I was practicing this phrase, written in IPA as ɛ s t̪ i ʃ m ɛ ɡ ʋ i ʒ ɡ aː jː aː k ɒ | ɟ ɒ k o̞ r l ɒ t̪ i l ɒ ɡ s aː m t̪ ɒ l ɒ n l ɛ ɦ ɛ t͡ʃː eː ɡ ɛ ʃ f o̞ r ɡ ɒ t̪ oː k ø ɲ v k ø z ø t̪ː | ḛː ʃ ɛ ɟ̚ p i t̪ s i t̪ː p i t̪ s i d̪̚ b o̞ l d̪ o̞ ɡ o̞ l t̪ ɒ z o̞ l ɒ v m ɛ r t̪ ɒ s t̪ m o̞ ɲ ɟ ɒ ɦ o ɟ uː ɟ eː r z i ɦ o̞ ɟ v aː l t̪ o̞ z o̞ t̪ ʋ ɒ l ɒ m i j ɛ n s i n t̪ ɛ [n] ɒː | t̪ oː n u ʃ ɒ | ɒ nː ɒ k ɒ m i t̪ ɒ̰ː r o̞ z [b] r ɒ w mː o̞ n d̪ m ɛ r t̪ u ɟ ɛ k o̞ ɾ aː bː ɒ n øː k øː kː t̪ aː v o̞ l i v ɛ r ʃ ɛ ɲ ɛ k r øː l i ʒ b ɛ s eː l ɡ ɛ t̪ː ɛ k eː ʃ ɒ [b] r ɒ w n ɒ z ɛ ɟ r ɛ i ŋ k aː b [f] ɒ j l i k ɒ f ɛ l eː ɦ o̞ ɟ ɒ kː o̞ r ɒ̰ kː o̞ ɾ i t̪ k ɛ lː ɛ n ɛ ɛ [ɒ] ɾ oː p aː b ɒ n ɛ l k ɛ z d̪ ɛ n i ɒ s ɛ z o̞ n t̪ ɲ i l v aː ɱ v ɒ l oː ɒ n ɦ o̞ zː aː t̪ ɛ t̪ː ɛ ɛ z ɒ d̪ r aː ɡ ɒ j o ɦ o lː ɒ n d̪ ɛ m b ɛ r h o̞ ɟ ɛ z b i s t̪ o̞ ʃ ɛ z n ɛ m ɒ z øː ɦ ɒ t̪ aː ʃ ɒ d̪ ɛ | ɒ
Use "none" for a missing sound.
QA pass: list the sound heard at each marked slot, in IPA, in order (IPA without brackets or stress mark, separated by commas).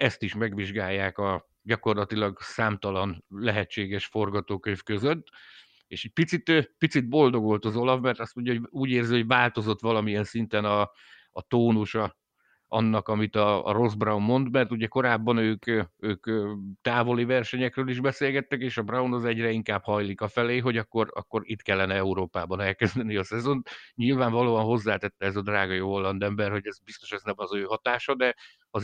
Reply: n, b, b, h, u